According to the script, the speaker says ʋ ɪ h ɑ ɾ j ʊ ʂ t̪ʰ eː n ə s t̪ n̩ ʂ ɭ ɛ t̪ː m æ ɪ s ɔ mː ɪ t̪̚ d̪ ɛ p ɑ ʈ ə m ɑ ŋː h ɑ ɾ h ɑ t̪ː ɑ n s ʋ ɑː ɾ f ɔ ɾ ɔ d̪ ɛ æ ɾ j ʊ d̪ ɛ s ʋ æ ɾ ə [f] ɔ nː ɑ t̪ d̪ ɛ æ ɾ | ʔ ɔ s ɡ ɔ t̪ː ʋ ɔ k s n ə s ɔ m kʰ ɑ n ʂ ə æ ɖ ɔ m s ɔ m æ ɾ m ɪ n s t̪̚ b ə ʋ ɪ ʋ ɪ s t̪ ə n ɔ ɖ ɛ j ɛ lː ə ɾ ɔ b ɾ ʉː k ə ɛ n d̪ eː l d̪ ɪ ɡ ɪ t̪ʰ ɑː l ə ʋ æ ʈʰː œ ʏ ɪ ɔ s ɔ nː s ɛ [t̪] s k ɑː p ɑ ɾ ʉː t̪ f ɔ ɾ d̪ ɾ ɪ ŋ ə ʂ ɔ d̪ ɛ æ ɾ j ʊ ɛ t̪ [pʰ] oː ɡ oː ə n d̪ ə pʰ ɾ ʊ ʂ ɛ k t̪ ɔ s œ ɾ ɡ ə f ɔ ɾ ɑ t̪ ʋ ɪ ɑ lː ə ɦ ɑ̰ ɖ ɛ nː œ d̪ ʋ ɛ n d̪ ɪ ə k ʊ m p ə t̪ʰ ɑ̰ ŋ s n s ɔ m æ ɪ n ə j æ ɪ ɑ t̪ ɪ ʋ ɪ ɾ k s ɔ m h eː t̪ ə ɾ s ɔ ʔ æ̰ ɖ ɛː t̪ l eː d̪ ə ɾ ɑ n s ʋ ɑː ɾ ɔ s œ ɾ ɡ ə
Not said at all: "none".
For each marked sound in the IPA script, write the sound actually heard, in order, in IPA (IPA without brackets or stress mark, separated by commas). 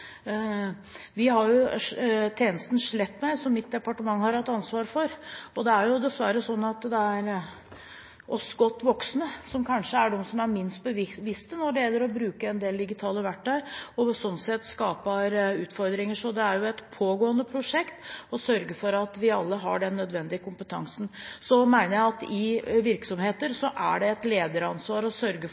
s, t̪, pʰ